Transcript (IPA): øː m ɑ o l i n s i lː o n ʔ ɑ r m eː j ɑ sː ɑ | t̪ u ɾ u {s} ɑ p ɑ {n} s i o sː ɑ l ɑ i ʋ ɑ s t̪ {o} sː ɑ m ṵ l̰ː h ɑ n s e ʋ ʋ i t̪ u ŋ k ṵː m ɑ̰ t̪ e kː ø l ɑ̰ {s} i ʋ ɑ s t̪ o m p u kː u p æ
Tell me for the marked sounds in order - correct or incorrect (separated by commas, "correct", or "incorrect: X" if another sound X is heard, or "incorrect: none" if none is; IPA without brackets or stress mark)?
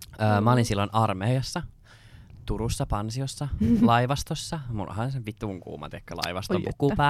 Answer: incorrect: sː, correct, correct, incorrect: none